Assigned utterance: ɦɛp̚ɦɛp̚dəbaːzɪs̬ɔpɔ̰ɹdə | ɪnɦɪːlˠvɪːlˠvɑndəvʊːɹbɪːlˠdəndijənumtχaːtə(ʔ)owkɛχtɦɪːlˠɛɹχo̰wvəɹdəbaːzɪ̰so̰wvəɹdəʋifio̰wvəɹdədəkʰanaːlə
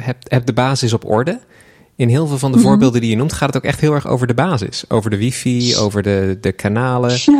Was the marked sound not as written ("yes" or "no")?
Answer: yes